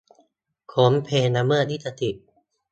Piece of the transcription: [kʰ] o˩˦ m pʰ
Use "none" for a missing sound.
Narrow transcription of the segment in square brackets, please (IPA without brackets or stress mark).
kʰ